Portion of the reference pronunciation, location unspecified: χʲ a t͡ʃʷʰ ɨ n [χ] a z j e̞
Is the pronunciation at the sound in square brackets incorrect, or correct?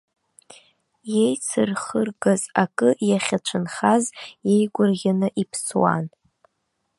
correct